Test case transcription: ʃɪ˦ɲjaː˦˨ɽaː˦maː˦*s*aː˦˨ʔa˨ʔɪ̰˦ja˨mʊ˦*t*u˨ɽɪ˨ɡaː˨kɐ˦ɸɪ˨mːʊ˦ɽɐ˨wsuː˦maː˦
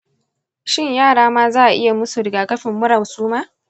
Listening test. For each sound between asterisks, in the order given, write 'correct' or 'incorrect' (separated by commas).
incorrect, incorrect